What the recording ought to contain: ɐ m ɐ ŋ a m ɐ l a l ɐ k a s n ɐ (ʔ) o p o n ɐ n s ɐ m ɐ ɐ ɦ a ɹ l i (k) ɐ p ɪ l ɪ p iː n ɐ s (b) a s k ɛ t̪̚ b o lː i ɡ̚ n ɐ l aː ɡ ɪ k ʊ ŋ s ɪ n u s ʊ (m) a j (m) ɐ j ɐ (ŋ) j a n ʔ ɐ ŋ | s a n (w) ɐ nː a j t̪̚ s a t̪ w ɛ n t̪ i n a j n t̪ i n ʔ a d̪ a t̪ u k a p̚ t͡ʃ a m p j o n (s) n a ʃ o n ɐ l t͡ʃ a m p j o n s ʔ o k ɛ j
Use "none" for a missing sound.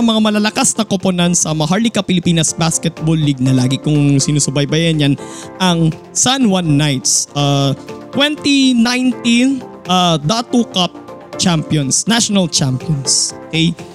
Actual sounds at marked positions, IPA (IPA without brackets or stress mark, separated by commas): k, k, b, b, b, n, w, s